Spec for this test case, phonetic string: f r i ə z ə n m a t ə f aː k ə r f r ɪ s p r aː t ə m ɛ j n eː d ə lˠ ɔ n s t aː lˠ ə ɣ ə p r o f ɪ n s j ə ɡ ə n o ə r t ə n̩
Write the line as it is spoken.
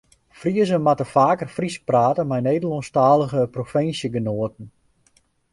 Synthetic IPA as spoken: f r i ə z ə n m a t ə f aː k ə r f r i s p r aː t ə m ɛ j n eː d ə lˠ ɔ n s t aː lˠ ə ɣ ə p r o f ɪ n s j ə ɡ ə n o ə t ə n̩